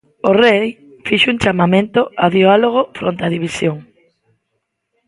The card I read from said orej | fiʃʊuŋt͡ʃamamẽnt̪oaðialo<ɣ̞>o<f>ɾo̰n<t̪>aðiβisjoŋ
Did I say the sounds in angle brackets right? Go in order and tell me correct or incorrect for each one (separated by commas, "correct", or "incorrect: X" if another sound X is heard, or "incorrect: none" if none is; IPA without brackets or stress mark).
correct, correct, correct